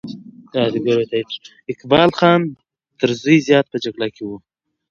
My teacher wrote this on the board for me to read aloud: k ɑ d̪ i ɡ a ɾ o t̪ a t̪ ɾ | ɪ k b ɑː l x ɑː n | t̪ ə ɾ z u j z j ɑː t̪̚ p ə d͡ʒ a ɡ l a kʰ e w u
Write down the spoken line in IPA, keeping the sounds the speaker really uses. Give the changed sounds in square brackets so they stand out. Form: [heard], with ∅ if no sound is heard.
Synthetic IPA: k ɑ d̪ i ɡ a ɾ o t̪ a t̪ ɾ | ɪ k b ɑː l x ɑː n | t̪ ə ɾ z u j z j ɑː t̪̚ p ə d͡ʒ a ɡ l a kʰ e w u